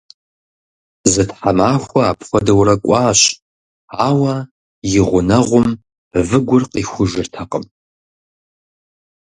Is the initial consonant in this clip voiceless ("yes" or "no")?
no